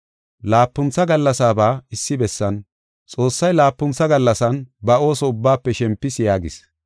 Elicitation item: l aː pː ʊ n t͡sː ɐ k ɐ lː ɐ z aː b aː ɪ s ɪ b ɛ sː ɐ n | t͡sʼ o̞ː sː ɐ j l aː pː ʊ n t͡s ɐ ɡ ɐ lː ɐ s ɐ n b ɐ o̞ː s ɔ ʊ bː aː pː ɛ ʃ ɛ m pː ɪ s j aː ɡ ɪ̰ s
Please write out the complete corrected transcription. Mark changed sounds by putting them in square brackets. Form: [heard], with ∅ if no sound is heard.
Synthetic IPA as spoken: l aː pː ʊ n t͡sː ɐ [ɡ] ɐ lː ɐ [s] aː b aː ɪ [sː] ɪ b ɛ sː ɐ n | t͡sʼ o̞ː sː ɐ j l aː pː ʊ n t͡s ɐ ɡ ɐ lː ɐ s ɐ n b ɐ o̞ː s ɔ ʊ bː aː pː ɛ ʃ ɛ m pː ɪ s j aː ɡ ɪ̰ s